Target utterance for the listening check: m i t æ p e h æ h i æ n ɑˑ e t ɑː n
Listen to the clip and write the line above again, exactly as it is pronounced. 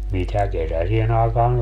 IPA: m i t æ k e s æ s i e n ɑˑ e k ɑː n